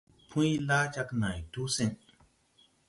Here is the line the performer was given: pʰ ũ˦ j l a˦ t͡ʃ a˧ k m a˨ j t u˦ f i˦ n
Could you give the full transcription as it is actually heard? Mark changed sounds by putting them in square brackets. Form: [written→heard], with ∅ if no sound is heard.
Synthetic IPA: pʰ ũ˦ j l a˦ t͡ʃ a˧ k [m→n] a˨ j t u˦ [f→s] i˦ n